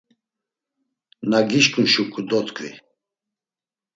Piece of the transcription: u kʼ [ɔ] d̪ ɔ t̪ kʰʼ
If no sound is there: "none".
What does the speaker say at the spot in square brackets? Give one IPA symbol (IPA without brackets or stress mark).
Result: u